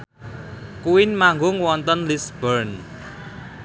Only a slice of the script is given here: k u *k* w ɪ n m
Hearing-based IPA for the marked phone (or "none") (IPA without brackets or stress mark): none